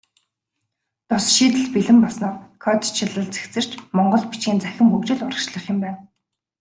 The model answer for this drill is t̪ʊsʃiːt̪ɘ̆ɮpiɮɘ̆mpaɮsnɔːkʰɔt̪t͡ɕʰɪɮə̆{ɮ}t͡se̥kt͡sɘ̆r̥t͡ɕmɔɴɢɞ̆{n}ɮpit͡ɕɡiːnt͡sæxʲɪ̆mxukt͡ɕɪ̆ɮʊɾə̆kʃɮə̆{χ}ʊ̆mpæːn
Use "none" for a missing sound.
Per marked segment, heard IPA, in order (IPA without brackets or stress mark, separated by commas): ɮ, none, χ